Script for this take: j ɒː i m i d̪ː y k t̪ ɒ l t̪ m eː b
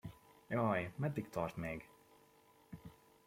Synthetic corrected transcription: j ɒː j m ɛ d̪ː i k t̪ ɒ r t̪ m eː ɡ